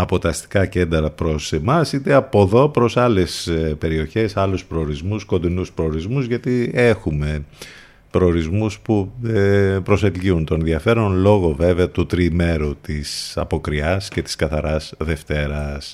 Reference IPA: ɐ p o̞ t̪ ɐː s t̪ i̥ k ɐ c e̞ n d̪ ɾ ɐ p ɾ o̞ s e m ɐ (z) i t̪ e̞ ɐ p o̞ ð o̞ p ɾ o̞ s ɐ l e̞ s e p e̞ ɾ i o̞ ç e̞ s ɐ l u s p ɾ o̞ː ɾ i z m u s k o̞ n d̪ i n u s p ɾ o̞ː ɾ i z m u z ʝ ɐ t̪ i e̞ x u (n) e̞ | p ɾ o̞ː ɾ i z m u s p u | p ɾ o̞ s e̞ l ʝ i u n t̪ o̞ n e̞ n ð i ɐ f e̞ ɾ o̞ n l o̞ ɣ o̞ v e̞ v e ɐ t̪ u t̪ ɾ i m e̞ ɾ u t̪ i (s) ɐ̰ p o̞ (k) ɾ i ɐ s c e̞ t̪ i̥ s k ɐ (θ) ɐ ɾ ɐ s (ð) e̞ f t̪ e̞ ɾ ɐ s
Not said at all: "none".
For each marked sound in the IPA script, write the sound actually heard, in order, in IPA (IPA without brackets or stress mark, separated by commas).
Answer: s, m, s, k, θ, ð